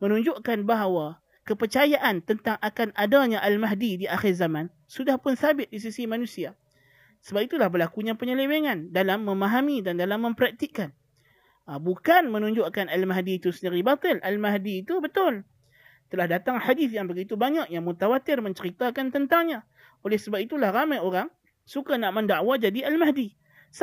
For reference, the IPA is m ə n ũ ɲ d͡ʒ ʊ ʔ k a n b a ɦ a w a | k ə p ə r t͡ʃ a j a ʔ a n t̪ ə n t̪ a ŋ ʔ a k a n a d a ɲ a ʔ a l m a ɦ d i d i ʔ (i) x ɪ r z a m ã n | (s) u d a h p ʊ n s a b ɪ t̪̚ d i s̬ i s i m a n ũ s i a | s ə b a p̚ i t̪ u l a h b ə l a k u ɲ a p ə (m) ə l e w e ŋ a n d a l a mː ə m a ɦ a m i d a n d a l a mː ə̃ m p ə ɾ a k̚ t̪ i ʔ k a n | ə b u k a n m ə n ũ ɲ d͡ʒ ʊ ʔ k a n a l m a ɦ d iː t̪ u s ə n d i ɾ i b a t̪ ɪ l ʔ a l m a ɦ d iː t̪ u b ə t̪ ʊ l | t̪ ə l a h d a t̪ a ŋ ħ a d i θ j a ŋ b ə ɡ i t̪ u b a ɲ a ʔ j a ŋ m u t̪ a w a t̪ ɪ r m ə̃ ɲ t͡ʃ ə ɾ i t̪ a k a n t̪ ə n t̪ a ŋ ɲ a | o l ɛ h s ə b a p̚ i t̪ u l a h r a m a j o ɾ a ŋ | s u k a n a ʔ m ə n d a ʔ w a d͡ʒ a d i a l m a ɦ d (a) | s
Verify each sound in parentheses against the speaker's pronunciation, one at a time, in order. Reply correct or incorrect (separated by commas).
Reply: incorrect, correct, incorrect, incorrect